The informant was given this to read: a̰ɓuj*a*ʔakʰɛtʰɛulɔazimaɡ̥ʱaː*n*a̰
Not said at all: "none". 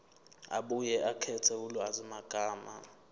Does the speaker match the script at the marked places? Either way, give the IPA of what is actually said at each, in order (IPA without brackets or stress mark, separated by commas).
ɛ, m